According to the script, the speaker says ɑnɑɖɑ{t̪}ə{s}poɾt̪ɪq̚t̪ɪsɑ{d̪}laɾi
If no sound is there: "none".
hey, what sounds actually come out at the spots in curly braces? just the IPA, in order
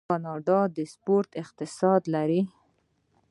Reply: d̪, s, d̪

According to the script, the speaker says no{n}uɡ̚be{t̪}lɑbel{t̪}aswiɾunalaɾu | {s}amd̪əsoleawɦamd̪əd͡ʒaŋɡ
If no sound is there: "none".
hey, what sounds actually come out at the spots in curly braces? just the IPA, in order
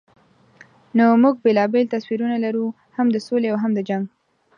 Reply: m, none, t̪, h

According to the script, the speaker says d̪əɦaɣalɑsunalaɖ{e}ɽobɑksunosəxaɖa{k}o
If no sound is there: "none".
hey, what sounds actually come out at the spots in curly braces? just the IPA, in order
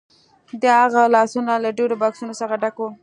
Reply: e, k

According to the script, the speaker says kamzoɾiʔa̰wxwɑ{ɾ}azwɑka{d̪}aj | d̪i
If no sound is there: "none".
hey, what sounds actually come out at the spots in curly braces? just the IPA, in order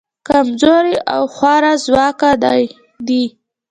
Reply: ɾ, d̪

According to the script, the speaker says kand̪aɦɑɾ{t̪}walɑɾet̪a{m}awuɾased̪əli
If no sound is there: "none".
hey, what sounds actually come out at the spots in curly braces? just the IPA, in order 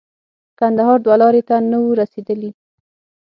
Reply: d̪, n

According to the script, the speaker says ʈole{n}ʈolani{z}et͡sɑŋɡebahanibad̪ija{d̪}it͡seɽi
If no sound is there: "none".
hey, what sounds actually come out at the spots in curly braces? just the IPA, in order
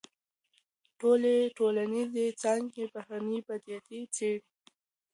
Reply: none, z, t̪

